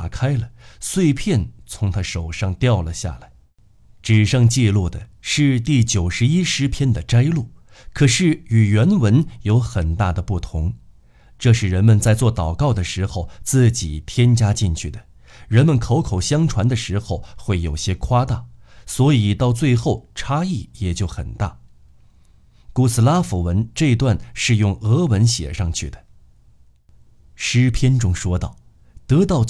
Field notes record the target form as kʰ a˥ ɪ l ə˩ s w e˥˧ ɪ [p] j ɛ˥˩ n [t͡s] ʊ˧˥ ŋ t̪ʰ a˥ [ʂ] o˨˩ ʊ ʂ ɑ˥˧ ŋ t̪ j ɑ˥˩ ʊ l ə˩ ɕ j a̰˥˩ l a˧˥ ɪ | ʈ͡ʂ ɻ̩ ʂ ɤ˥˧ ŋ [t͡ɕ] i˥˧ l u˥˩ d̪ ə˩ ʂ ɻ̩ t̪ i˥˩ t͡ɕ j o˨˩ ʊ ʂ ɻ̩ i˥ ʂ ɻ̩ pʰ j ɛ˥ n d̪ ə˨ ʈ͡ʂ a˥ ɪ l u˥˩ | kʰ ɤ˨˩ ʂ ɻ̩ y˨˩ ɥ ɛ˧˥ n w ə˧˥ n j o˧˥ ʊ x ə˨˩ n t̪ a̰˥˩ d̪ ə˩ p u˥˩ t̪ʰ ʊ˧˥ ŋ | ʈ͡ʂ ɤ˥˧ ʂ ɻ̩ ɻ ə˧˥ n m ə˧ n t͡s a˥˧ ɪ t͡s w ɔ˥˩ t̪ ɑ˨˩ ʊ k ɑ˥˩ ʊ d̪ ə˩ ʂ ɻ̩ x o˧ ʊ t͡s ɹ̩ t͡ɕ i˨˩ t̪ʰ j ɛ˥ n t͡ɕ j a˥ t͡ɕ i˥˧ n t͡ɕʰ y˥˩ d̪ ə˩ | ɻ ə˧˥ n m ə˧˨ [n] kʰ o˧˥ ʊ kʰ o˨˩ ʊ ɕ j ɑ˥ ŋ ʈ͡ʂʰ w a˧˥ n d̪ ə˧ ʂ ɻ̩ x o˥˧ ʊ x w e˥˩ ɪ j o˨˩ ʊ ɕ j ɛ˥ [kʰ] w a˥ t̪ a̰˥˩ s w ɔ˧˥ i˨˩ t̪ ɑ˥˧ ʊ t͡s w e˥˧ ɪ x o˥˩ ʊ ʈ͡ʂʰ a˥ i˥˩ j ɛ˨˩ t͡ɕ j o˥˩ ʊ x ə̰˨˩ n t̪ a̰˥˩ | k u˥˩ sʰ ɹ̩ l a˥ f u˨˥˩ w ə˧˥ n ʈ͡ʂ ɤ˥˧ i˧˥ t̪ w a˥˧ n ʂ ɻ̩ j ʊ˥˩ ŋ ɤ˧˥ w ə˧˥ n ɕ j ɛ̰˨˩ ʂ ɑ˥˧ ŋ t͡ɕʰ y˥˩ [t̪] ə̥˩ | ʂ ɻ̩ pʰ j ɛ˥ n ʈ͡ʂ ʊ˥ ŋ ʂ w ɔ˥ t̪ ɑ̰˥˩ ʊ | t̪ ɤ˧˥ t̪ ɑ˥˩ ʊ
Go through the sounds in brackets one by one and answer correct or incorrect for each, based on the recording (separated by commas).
incorrect, incorrect, correct, correct, correct, correct, incorrect